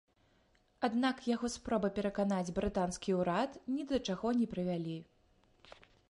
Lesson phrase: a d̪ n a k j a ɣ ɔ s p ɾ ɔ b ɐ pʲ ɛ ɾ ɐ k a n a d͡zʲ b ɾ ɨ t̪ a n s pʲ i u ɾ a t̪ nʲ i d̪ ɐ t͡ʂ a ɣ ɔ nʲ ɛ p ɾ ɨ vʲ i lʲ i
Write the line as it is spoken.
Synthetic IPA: a d̪ n a k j a ɣ ɔ s p ɾ ɔ b ɐ pʲ ɛ ɾ ɐ k a n a d͡zʲ b ɾ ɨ t̪ a n s kʲ i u ɾ a t̪ nʲ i d̪ ɐ t͡ʂ a ɣ ɔ nʲ ɛ p ɾ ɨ vʲ a lʲ i